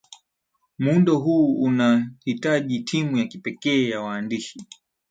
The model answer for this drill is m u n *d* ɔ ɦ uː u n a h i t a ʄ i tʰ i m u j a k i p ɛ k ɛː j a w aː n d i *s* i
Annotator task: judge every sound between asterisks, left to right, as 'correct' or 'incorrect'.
correct, incorrect: ʃ

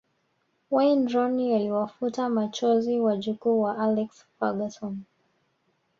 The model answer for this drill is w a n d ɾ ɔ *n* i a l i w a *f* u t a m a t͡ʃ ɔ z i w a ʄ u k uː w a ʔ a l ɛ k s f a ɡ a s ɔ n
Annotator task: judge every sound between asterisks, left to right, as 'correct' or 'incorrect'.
correct, correct

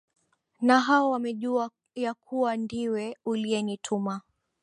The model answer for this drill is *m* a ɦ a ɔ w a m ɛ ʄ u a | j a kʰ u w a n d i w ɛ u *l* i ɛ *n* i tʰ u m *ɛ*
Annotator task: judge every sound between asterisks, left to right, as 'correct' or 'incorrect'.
incorrect: n, correct, correct, incorrect: a

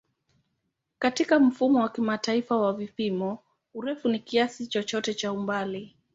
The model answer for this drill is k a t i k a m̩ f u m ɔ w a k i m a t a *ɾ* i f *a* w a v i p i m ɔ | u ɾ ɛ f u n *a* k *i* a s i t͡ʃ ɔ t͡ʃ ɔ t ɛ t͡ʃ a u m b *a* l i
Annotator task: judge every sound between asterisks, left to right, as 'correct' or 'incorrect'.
incorrect: none, correct, incorrect: i, correct, correct

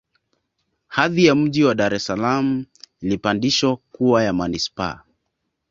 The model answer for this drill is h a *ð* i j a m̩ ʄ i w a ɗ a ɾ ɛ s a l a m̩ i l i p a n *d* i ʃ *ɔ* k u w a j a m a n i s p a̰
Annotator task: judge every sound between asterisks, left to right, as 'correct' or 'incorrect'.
correct, correct, correct

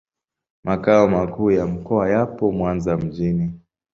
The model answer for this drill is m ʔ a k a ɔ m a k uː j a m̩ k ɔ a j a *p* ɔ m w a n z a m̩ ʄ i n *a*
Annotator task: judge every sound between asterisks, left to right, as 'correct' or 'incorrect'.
correct, incorrect: i

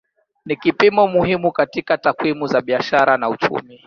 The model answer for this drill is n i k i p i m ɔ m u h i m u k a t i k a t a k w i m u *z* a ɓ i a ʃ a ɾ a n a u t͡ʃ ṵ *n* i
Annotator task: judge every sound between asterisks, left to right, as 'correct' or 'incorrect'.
correct, incorrect: m

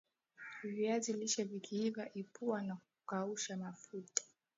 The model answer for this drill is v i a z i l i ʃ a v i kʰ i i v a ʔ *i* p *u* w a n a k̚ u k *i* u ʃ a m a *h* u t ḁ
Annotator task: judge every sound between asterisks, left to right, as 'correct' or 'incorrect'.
correct, correct, incorrect: a, incorrect: f

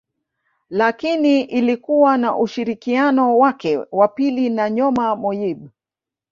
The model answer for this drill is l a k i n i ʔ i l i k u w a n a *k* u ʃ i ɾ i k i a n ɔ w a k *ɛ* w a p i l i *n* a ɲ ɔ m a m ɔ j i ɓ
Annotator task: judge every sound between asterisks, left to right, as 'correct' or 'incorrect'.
incorrect: ʔ, correct, correct

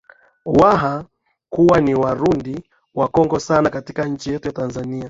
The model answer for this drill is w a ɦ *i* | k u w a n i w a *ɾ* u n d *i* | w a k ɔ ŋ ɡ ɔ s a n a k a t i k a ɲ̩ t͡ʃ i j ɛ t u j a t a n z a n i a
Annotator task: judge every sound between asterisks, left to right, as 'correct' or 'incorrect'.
incorrect: a, correct, correct

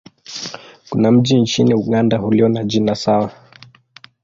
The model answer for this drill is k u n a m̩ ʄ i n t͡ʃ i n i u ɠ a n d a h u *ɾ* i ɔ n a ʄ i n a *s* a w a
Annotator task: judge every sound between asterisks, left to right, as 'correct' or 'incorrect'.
incorrect: l, correct

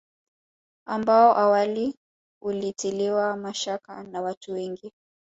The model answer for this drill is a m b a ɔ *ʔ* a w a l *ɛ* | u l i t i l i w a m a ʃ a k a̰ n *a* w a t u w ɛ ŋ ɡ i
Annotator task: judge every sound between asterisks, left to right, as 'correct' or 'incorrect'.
correct, incorrect: i, correct

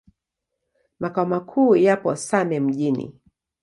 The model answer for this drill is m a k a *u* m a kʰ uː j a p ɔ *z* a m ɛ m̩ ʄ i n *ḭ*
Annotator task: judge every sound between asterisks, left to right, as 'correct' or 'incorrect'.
incorrect: ɔ, incorrect: s, correct

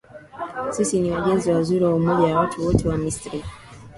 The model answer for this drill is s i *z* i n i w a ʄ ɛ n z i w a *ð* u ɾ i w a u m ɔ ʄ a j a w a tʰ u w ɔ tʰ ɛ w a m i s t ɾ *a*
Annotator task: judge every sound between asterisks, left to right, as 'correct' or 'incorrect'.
incorrect: s, incorrect: z, incorrect: i

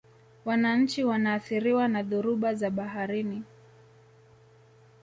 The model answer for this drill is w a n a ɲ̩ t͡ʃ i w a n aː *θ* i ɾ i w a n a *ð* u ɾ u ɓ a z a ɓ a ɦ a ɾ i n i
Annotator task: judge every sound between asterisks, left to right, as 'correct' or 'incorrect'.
correct, correct

